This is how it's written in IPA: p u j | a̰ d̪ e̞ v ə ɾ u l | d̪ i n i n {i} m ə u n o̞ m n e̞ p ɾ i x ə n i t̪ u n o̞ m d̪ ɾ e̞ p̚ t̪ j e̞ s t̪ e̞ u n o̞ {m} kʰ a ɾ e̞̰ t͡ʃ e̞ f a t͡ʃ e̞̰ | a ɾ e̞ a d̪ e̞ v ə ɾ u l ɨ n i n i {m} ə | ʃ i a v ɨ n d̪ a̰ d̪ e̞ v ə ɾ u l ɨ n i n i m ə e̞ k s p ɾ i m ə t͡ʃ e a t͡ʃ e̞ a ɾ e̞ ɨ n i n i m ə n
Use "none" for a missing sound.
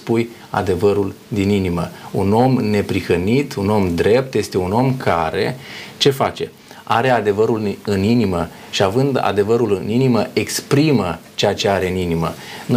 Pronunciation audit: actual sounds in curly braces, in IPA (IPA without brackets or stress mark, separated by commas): i, m, m